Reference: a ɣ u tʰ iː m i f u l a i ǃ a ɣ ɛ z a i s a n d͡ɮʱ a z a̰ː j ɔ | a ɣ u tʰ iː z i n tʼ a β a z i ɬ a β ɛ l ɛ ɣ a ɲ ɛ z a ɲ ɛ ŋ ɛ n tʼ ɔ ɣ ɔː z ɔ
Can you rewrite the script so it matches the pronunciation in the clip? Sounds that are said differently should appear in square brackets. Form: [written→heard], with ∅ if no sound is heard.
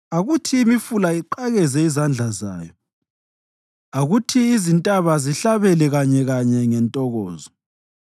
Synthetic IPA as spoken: a ɣ u tʰ iː m i f u l a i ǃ a ɣ ɛ z [a→ɛ] i [s→z] a n d͡ɮʱ a z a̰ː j ɔ | a ɣ u tʰ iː z i n tʼ a β a z i ɬ a β ɛ l ɛ ɣ a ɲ ɛ [z→ɣ] a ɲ ɛ ŋ ɛ n tʼ ɔ ɣ ɔː z ɔ